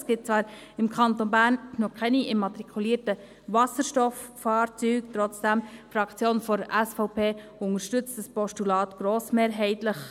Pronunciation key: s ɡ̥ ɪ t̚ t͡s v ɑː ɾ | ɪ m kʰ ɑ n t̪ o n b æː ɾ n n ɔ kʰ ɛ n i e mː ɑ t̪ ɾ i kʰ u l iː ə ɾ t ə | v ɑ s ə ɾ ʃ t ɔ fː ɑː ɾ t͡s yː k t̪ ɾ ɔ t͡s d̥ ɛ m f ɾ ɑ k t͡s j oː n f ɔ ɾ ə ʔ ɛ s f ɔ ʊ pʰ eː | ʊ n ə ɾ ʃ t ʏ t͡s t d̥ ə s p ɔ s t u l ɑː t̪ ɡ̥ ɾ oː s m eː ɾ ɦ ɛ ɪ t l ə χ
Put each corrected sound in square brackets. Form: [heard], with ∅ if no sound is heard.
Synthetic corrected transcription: s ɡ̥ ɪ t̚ t͡s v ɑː ɾ | ɪ m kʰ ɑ n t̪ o n b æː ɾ n n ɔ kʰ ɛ n i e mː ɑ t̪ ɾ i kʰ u l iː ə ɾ t ə | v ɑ s ə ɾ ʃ t ɔ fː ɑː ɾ t͡s yː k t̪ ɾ ɔ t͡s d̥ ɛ m f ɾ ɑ k t͡s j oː n f ɔ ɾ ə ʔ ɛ s f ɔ ʊ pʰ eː | ʊ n ə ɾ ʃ t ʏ t͡s t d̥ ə s p ɔ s t u l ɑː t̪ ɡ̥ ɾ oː s m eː ɾ ɦ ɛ ɪ t l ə χ